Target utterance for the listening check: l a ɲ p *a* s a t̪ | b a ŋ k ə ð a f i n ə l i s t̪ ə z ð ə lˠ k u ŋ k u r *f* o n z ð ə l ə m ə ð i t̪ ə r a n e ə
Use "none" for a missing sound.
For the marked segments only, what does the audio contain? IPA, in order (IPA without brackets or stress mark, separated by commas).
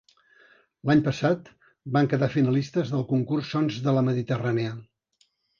ə, s